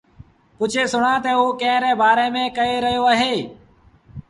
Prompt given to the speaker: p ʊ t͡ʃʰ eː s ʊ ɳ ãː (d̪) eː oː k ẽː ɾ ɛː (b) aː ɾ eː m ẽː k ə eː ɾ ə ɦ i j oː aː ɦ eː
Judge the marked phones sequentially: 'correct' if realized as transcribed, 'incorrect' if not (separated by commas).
incorrect, correct